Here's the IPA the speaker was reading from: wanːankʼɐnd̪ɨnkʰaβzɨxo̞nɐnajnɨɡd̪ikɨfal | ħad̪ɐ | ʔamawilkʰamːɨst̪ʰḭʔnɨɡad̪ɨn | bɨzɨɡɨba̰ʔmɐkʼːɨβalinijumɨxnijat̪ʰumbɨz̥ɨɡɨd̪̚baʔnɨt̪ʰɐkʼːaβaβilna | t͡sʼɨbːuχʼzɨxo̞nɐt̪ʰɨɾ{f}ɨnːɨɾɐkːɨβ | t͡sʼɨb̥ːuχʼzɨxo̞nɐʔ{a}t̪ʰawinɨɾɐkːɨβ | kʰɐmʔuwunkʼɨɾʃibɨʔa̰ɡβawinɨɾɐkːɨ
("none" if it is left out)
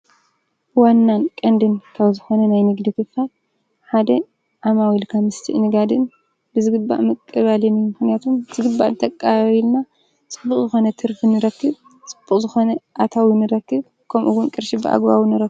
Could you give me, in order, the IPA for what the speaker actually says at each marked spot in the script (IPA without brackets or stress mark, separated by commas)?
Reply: f, a